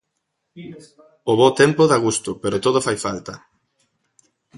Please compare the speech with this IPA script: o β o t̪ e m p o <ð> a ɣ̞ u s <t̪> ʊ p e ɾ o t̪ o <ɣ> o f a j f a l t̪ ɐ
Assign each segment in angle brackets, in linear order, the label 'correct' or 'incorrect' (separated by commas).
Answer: correct, correct, incorrect